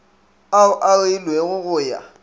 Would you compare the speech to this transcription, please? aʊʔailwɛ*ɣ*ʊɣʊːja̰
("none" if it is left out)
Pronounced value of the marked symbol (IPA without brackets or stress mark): ɣ